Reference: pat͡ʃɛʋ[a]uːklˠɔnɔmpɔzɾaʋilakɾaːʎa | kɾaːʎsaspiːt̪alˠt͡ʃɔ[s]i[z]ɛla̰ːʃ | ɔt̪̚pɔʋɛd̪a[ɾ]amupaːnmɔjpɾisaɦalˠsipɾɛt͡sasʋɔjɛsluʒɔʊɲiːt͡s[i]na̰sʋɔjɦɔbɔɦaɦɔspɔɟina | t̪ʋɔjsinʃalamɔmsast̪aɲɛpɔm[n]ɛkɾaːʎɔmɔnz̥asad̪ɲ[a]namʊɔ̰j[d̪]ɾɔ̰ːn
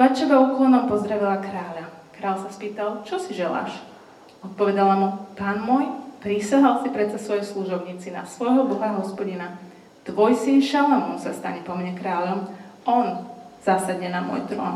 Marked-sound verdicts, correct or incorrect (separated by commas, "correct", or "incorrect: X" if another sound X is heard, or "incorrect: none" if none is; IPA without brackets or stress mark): correct, correct, incorrect: ʒ, incorrect: l, correct, incorrect: ɲ, incorrect: ɛ, incorrect: t̪